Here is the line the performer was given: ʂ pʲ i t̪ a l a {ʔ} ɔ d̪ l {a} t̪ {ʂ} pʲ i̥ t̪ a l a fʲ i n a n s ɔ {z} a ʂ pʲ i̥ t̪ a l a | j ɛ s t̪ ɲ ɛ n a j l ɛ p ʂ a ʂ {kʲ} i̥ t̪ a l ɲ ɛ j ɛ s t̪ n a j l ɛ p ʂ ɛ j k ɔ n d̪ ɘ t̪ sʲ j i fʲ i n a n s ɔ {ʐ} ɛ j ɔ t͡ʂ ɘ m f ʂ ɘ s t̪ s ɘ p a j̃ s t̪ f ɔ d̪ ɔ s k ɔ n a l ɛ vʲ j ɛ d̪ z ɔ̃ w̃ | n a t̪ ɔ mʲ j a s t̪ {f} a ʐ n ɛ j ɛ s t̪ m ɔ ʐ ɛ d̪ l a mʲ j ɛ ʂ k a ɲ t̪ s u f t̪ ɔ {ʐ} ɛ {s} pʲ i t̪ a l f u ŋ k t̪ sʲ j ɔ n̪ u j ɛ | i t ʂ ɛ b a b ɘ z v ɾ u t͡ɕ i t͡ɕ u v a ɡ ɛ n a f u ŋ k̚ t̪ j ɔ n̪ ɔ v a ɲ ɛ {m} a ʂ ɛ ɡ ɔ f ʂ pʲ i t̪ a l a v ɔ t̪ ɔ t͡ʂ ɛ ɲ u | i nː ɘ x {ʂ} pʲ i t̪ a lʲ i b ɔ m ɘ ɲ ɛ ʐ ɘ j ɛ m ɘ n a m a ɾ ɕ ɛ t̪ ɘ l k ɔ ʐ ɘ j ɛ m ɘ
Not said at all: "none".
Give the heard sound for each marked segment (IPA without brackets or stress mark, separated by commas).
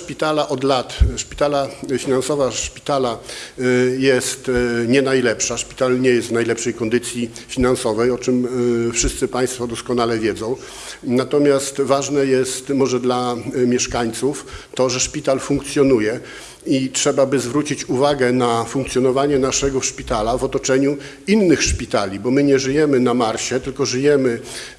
ʔ, a, ʂ, v, pʲ, v, v, ʐ, ʂ, n, ʂ